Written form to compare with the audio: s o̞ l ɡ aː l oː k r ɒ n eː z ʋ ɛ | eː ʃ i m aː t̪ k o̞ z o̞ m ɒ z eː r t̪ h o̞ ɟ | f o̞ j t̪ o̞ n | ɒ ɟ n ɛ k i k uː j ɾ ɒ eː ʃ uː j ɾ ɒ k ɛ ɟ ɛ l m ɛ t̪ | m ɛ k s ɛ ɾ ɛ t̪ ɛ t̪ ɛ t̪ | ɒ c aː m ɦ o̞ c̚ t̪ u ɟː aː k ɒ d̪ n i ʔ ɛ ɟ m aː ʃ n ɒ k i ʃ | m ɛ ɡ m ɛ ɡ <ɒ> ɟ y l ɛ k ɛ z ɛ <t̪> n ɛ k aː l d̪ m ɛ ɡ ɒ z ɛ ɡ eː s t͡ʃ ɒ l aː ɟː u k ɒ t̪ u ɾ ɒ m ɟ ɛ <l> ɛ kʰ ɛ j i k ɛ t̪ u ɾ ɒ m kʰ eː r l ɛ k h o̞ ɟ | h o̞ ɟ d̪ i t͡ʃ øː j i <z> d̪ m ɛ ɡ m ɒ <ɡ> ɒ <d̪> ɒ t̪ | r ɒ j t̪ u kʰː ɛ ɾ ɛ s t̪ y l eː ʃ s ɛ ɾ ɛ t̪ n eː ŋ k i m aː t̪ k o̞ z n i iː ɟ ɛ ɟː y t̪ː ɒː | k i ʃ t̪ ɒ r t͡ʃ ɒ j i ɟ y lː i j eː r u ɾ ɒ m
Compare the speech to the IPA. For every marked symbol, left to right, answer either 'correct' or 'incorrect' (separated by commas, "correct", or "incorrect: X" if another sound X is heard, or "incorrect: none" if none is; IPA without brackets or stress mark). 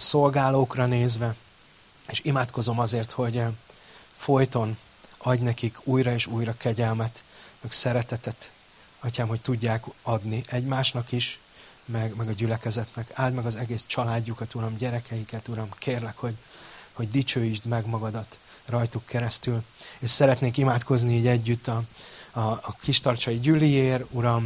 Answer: correct, correct, incorrect: ɾ, incorrect: ʒ, correct, correct